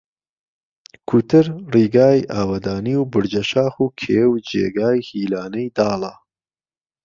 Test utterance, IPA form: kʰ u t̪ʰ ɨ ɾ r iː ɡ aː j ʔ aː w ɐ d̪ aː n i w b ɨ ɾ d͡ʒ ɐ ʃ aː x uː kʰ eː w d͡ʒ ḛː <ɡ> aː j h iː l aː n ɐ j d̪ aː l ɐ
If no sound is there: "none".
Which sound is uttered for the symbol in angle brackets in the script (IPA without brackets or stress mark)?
ɡ